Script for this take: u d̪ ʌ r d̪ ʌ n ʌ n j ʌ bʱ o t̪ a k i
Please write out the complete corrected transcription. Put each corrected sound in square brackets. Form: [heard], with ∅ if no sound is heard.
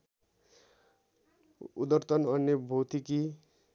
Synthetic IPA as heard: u d̪ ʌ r [t̪] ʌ n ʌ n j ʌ bʱ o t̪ [i] k i